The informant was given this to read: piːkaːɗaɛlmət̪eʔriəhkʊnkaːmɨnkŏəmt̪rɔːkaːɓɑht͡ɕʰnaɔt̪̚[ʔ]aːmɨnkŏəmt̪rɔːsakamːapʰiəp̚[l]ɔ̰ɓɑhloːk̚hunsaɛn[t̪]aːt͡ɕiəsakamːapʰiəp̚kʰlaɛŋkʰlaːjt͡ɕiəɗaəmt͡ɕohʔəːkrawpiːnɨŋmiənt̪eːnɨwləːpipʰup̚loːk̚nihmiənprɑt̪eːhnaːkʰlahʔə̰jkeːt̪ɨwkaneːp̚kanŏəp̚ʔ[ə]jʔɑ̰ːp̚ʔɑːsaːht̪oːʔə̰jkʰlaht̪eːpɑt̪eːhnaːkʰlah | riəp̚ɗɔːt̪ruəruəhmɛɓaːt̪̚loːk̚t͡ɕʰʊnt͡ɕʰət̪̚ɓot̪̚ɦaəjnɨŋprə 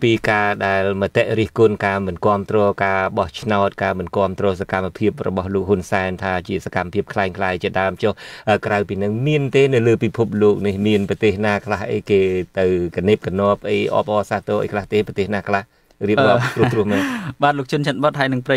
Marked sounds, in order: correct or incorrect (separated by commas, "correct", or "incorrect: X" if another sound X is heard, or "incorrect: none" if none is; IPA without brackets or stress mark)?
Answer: incorrect: k, incorrect: r, incorrect: t̪ʰ, correct